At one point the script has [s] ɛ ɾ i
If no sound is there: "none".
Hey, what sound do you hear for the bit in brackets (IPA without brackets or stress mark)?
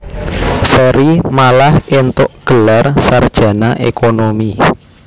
f